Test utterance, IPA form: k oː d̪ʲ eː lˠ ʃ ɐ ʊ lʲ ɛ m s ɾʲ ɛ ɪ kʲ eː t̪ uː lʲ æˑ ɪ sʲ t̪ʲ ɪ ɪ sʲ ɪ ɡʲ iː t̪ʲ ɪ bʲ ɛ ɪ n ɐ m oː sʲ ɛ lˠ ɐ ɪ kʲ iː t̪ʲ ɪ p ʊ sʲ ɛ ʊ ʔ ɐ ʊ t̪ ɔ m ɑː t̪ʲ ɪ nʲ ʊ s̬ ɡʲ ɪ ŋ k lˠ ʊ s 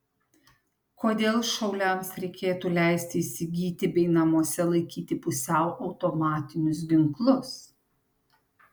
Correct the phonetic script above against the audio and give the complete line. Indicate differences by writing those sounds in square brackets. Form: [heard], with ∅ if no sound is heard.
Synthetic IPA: k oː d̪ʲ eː lˠ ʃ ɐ ʊ lʲ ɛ m s ɾʲ ɛ ɪ kʲ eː t̪ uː lʲ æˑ ɪ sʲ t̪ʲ ɪ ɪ sʲ ɪ ɡʲ iː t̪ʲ ɪ bʲ ɛ ɪ n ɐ m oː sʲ ɛ lˠ ɐ ɪ kʲ iː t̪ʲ ɪ p ʊ sʲ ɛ ʊ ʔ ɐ ʊ t̪ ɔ m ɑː t̪ʲ ɪ nʲ ʊ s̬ ɡʲ ɪ ŋ k lˠ ʊ s

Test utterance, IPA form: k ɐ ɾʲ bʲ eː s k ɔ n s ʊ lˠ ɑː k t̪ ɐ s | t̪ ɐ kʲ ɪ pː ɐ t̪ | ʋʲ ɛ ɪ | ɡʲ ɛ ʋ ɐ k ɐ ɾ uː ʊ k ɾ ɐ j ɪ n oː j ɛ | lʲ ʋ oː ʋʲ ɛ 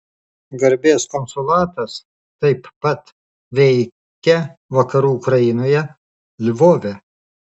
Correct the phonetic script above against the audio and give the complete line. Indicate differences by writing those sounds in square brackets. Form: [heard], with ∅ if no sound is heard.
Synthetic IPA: [ɡ] ɐ ɾʲ bʲ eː s k ɔ n s ʊ lˠ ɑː [∅] t̪ ɐ s | t̪ ɐ [∅] ɪ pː ɐ t̪ | ʋʲ ɛ ɪ | [kʲ] ɛ ʋ ɐ k ɐ ɾ uː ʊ k ɾ ɐ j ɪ n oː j ɛ | lʲ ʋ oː ʋʲ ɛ

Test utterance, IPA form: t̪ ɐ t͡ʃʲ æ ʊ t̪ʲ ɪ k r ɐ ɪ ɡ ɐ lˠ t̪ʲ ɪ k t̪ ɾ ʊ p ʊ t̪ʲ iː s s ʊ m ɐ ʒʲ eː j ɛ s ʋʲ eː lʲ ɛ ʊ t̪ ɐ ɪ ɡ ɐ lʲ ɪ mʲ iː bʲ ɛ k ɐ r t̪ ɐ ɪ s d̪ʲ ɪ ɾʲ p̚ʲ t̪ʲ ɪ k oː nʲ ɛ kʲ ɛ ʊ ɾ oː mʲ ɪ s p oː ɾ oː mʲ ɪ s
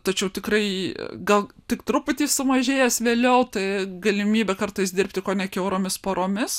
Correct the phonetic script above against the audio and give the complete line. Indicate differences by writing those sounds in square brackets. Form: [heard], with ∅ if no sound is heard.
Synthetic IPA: t̪ ɐ t͡ʃʲ [ɛ] ʊ t̪ʲ ɪ k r ɐ ɪ ɡ ɐ lˠ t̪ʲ ɪ k t̪ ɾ ʊ p ʊ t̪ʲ iː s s ʊ m ɐ ʒʲ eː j ɛ s ʋʲ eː lʲ ɛ ʊ t̪ ɐ ɪ ɡ ɐ lʲ ɪ mʲ iː bʲ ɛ k ɐ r t̪ ɐ ɪ s d̪ʲ ɪ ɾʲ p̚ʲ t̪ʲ ɪ k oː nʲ ɛ kʲ ɛ ʊ ɾ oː mʲ ɪ s p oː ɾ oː mʲ ɪ s

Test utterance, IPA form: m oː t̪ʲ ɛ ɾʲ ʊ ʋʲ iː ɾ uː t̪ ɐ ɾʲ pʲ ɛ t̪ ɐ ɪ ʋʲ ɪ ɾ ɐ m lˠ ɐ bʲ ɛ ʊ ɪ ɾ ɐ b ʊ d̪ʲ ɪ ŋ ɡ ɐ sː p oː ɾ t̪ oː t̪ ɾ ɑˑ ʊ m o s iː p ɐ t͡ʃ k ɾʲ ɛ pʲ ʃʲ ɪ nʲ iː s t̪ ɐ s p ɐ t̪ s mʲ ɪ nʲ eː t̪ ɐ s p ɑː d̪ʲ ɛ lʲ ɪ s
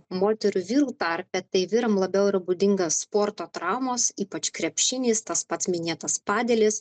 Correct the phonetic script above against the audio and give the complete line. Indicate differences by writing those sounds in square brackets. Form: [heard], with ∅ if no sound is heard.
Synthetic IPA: m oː t̪ʲ ɛ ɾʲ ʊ ʋʲ iː ɾ uː t̪ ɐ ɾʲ pʲ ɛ t̪ ɐ ɪ ʋʲ ɪ ɾ ɐ m lˠ ɐ bʲ ɛ ʊ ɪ ɾ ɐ b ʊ d̪ʲ ɪ ŋ ɡ ɐ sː p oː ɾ t̪ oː t̪ ɾ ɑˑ ʊ m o s iː p ɐ t͡ʃ k ɾʲ ɛ pʲ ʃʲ ɪ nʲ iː s t̪ ɐ s p ɐ t̪ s mʲ ɪ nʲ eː t̪ ɐ s p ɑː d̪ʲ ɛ lʲ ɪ s

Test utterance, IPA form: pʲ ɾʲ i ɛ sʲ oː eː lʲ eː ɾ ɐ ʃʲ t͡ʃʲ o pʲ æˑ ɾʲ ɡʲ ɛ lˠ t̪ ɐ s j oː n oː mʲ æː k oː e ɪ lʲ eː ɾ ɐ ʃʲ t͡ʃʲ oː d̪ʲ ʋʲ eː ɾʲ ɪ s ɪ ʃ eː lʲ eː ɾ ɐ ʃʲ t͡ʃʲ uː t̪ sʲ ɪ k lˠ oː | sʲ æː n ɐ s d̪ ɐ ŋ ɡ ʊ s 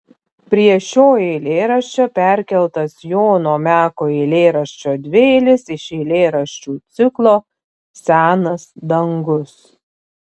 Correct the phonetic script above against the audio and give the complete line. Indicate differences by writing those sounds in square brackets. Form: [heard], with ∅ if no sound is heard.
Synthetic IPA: pʲ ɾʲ i ɛ [ʃʲ] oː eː lʲ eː ɾ ɐ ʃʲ t͡ʃʲ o pʲ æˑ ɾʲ [kʲ] ɛ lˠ t̪ ɐ s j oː n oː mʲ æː k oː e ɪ lʲ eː ɾ ɐ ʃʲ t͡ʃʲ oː d̪ʲ ʋʲ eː [lʲ] ɪ s ɪ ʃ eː lʲ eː ɾ ɐ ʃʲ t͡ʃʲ uː t̪ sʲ ɪ k lˠ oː | sʲ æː n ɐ s d̪ ɐ ŋ ɡ ʊ s

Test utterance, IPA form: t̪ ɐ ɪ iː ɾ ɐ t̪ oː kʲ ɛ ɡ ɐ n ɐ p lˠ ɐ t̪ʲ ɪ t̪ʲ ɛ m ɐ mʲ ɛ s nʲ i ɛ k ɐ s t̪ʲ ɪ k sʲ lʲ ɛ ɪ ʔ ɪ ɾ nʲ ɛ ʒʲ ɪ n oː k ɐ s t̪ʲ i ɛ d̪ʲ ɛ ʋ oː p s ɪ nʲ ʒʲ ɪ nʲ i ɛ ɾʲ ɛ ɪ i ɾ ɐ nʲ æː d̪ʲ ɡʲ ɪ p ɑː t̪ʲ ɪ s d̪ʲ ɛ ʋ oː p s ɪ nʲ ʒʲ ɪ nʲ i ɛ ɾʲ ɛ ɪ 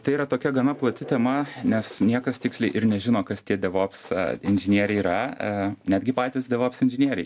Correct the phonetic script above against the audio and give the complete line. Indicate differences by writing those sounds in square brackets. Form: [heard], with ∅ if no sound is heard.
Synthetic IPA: t̪ ɐ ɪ iː ɾ ɐ t̪ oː kʲ ɛ ɡ ɐ n ɐ p lˠ ɐ t̪ʲ ɪ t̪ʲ ɛ m ɐ [nʲ] ɛ s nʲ i ɛ k ɐ s t̪ʲ ɪ k sʲ lʲ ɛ ɪ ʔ ɪ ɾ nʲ ɛ ʒʲ ɪ n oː k ɐ s t̪ʲ i ɛ d̪ʲ ɛ ʋ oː p s ɪ nʲ ʒʲ ɪ nʲ i ɛ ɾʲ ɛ ɪ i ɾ ɐ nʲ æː d̪ʲ ɡʲ ɪ p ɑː t̪ʲ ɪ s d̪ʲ ɛ ʋ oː p s ɪ nʲ ʒʲ ɪ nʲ i ɛ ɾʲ ɛ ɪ

